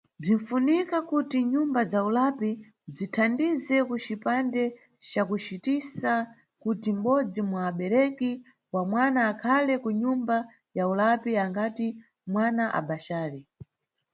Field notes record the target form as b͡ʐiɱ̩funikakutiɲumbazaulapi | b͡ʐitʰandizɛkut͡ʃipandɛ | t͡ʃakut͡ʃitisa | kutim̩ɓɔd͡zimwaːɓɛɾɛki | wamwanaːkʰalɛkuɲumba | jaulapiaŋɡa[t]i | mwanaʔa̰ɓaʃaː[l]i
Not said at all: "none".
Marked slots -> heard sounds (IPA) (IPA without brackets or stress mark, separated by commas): t, ɾ